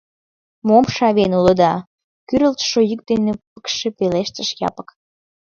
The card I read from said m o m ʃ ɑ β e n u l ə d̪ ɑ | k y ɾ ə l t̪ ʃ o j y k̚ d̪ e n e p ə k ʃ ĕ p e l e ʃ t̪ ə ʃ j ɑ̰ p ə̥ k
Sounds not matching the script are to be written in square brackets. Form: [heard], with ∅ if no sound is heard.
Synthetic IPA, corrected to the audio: m o m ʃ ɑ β e n u l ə d̪ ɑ | k y ɾ ə l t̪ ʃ o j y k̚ d̪ e n e p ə k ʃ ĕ p e l e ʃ t̪ ə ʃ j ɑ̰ p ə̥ k